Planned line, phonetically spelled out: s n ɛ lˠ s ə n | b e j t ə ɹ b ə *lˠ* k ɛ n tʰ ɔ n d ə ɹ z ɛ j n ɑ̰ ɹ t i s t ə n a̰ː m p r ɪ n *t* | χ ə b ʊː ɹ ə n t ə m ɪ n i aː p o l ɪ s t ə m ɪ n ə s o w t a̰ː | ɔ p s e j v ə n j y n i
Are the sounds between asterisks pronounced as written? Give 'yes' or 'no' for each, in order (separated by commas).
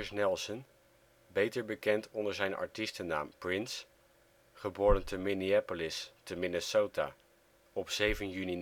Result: no, no